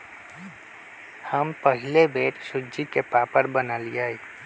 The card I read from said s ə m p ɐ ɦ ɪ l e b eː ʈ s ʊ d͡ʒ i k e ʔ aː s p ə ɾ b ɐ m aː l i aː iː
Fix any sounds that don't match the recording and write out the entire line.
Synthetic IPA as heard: h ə m p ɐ ɦ ɪ l e b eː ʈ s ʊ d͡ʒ i k e p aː p ə ɾ b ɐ n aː l i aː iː